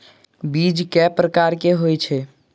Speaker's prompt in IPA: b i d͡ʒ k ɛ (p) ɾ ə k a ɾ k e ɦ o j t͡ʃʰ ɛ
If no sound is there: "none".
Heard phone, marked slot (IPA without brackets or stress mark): p